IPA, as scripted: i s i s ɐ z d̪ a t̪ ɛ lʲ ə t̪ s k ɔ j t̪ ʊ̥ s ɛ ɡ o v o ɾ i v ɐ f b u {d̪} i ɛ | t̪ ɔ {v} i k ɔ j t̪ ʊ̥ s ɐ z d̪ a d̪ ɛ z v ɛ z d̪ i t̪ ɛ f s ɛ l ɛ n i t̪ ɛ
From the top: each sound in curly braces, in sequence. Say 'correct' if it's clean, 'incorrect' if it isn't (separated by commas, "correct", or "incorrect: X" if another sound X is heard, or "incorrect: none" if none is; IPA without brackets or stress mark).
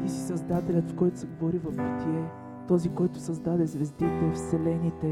incorrect: t̪, incorrect: z